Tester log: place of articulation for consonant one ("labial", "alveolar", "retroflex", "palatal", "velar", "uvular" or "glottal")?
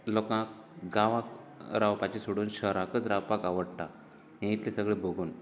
alveolar